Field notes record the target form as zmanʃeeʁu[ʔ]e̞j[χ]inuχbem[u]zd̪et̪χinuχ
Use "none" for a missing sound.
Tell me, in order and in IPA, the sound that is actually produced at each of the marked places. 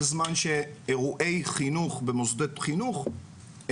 ʔ, χ, o

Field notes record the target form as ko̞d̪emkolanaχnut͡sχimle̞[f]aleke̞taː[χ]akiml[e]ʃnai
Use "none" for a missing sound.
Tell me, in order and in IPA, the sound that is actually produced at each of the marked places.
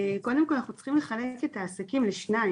χ, s, e

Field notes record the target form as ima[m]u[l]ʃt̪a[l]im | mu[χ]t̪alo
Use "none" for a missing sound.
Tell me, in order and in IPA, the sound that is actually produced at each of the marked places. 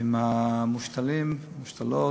m, none, l, ʃ

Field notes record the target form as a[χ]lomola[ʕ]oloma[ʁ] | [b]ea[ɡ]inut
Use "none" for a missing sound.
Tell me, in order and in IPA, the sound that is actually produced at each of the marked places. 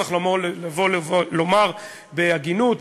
χ, v, ʁ, b, ɡ

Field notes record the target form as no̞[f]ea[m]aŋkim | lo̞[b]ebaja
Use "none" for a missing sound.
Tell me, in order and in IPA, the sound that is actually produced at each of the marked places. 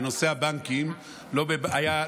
s, b, b

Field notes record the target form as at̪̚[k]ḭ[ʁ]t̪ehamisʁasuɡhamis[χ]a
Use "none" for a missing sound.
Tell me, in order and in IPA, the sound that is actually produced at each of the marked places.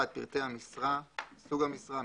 p, ʁ, ʁ

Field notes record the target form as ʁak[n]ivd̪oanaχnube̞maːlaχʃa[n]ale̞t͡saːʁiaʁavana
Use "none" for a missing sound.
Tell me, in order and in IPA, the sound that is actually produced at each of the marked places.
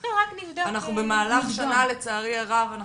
n, n

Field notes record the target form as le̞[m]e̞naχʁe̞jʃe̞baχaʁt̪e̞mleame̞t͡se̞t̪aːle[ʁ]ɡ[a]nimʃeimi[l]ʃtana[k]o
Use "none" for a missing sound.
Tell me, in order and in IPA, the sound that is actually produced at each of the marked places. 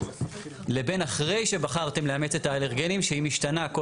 b, ʁ, e, none, k

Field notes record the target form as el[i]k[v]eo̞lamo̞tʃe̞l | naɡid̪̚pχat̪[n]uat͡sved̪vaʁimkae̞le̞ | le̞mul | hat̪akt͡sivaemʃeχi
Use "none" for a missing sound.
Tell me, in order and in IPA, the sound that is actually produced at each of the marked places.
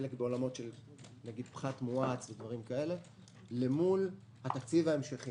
e, b, m

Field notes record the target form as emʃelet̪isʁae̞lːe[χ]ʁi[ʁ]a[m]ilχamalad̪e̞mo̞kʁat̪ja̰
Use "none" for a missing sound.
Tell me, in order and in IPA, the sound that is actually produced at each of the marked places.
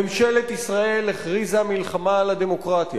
χ, z, m

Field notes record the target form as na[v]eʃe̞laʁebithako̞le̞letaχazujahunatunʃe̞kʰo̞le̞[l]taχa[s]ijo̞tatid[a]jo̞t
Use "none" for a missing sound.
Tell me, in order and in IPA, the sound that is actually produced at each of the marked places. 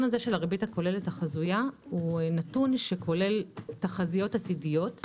z, l, z, i

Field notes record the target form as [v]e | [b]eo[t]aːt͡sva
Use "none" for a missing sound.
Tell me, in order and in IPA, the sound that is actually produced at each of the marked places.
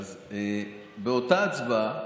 z, b, t

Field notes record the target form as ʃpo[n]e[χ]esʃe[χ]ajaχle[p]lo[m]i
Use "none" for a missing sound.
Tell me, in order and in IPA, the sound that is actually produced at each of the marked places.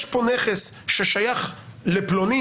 n, χ, ʃ, p, n

